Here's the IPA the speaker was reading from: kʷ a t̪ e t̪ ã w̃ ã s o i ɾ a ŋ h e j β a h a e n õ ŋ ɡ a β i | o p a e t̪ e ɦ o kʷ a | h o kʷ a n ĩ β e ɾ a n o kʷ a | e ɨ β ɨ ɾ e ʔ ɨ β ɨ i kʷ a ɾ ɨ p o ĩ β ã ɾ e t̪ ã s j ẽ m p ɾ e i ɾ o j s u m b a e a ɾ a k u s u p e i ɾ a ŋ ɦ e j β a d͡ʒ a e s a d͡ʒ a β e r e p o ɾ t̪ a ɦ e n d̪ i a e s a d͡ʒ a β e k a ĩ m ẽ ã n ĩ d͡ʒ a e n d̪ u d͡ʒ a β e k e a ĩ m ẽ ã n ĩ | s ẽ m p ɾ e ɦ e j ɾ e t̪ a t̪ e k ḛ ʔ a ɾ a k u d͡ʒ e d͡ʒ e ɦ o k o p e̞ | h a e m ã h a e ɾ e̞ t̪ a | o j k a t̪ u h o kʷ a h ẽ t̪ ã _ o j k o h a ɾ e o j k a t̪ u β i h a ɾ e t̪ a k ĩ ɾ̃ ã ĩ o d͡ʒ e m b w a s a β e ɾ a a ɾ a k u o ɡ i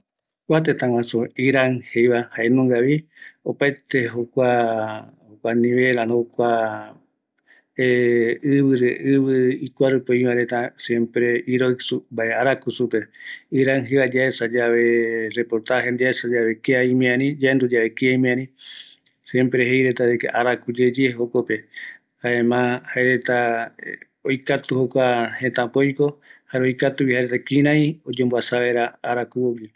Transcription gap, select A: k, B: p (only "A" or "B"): B